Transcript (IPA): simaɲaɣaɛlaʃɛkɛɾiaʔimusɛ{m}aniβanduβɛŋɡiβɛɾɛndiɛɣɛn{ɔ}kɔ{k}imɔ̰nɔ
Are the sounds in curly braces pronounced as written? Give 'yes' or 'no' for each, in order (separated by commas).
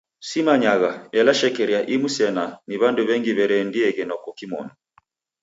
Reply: no, yes, yes